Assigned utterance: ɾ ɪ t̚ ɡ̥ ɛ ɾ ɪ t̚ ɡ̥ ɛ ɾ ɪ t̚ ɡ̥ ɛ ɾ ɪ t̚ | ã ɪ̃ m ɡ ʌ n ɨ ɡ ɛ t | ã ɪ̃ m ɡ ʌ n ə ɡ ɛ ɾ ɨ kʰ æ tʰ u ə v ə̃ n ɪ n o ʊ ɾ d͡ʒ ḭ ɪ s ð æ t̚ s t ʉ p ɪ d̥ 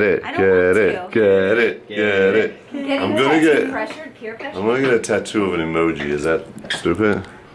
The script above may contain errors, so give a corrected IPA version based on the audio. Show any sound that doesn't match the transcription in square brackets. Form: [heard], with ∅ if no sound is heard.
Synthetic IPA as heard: ɾ ɪ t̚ ɡ̥ ɛ ɾ ɪ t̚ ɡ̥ ɛ ɾ ɪ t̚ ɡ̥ ɛ ɾ ɪ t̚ | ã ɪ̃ m ɡ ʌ n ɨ ɡ ɛ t | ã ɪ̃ m ɡ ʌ n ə ɡ ɛ ɾ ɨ [tʰ] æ tʰ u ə v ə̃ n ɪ [m] o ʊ [∅] d͡ʒ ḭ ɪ [z] ð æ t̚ s t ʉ p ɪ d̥